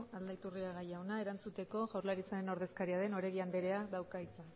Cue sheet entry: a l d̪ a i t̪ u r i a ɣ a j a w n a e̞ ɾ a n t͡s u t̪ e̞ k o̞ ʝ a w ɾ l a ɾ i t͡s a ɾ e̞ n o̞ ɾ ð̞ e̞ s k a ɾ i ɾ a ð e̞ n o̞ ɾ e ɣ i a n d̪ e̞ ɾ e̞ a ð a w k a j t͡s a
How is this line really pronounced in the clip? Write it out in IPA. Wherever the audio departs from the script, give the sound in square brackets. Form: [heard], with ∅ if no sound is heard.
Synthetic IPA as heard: a l d̪ a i t̪ u r i a ɣ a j a w n a e̞ ɾ a n t͡s u t̪ e̞ k o̞ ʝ a w ɾ l a ɾ i t͡s a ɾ e̞ n o̞ ɾ ð̞ e̞ s k a ɾ i [∅] a ð e̞ n o̞ ɾ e ɣ i a n d̪ e̞ ɾ e̞ a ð a w k a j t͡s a